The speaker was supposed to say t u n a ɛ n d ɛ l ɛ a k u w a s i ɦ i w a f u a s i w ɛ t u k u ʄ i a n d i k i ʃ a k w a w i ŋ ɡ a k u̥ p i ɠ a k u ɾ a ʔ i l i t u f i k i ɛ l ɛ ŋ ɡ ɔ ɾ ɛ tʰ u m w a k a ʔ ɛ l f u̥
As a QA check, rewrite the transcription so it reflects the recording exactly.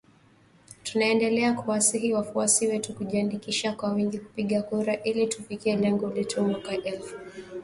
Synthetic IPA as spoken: t u n a ɛ n d ɛ l ɛ a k u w a s i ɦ i w a f u a s i w ɛ t u k u ʄ i a n d i k i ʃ a k w a w i ŋ ɡ i k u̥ p i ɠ a k u ɾ a ʔ i l i t u f i k i ɛ l ɛ ŋ ɡ ɔ l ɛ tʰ u m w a k a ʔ ɛ l f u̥